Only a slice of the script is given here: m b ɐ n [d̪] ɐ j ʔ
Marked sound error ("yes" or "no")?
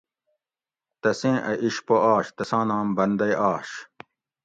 no